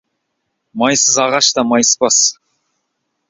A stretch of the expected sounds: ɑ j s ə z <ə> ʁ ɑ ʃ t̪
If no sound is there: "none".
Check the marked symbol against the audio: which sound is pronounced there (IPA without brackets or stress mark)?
ɑ